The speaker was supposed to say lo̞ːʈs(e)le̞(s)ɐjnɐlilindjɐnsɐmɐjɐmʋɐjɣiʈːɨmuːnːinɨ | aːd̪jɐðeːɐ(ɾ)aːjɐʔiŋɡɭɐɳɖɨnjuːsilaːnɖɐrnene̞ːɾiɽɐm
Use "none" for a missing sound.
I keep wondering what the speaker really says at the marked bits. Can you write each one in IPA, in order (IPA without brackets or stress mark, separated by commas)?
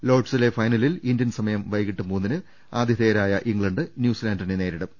i, f, ɾ